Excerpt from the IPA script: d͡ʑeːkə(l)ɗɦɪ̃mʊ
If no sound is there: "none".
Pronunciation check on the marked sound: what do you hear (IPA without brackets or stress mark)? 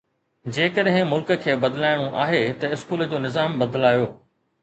none